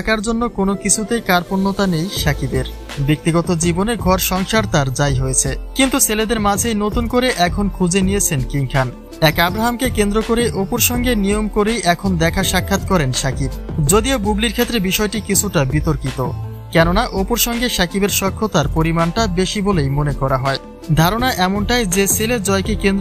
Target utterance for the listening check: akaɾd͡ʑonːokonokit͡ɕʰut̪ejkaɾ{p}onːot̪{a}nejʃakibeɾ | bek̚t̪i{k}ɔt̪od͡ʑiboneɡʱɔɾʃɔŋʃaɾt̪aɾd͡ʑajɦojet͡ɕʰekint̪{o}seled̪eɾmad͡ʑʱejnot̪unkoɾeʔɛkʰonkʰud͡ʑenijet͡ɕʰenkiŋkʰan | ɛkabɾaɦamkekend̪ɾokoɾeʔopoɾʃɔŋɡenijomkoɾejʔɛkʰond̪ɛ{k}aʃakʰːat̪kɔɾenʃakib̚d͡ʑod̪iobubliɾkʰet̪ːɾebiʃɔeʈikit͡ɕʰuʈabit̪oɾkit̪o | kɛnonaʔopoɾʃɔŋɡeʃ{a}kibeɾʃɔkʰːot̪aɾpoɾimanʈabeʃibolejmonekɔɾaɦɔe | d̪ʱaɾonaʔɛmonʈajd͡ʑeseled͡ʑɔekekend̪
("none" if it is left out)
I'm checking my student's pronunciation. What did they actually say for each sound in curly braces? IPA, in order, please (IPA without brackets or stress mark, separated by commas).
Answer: p, a, ɡ, u, kʰ, a